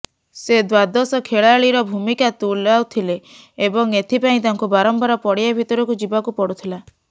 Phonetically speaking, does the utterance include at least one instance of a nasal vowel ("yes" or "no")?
yes